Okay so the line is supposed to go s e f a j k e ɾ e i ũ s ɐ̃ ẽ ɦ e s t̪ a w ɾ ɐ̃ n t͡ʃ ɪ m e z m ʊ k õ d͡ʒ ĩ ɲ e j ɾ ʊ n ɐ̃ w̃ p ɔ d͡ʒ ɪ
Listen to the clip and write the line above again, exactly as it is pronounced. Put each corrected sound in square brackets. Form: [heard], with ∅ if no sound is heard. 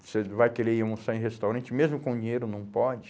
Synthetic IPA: s e [v] a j k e ɾ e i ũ s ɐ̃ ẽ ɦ e s t̪ a w ɾ ɐ̃ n t͡ʃ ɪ m e z m ʊ k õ d͡ʒ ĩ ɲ e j ɾ ʊ n ɐ̃ w̃ p ɔ d͡ʒ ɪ